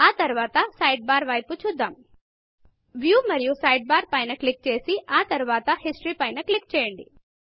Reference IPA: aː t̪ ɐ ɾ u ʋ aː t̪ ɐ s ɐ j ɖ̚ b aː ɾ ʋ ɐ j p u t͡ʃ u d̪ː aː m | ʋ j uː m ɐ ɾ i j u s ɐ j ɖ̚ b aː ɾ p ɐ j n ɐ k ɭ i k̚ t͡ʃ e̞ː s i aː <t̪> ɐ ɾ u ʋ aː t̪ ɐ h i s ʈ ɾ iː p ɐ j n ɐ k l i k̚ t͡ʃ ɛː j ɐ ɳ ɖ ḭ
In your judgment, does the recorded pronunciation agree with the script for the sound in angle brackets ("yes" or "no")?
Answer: yes